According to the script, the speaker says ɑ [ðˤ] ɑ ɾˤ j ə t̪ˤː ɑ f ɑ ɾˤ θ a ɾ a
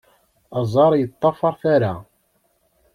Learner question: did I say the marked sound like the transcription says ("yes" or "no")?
no